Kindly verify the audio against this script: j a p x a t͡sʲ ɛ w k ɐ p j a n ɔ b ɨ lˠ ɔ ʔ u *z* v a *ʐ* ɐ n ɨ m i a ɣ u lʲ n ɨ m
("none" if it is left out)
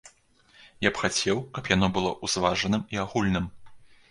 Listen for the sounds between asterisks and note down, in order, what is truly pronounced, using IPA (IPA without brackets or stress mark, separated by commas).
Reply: z, ʐ